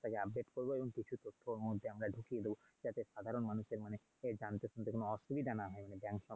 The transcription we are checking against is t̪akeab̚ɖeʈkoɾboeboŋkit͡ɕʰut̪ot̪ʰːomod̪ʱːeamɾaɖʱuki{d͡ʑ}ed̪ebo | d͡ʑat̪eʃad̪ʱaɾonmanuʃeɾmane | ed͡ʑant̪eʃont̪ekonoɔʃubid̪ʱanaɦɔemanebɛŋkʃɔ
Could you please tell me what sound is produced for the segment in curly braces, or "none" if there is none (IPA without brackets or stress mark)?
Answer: none